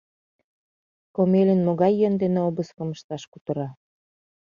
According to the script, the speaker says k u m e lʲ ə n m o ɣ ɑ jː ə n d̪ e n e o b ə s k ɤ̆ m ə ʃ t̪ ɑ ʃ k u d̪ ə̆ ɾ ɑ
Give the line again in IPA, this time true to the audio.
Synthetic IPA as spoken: k o m e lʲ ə n m o ɣ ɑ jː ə n d̪ e n e o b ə s k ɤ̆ m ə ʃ t̪ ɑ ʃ k u t̪ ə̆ ɾ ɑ